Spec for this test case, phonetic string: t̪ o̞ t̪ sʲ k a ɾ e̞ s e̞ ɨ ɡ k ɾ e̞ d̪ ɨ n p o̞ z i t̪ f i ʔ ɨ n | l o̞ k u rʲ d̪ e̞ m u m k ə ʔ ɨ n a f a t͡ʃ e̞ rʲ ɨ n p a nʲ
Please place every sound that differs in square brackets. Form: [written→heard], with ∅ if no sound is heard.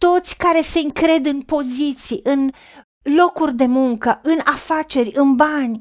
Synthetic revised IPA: t̪ o̞ t̪ sʲ k a ɾ e̞ s e̞ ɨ [ɡ→ŋ] k ɾ e̞ d̪ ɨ n p o̞ z i t̪ [f→s] i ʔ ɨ n | l o̞ k u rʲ d̪ e̞ m u [m→ŋ] k ə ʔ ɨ n a f a t͡ʃ e̞ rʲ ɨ n [p→b] a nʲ